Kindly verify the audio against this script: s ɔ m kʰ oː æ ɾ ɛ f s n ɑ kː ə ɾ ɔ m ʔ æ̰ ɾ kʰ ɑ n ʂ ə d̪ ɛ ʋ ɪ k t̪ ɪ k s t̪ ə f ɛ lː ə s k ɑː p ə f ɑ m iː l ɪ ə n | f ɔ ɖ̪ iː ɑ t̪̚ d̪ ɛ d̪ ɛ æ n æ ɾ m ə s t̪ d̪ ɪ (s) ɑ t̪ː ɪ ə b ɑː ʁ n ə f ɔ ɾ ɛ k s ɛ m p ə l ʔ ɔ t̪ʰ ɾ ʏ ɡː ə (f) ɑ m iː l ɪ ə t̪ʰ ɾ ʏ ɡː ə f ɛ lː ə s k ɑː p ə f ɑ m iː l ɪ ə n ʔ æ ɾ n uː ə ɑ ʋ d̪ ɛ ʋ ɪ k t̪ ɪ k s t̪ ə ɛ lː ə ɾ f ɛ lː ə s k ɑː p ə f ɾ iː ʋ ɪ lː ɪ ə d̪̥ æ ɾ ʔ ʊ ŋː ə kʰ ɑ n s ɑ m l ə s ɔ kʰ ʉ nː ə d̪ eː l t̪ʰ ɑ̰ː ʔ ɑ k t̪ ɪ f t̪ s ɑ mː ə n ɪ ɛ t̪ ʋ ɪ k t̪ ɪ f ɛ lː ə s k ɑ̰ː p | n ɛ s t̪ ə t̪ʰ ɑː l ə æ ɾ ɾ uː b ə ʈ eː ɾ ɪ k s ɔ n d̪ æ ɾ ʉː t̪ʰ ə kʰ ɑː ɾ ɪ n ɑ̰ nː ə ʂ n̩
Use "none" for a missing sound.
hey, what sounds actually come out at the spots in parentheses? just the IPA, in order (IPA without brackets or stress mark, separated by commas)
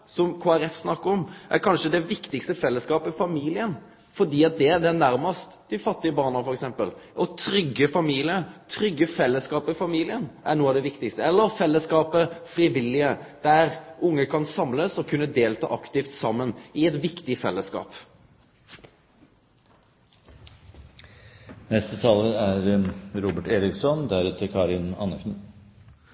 f, f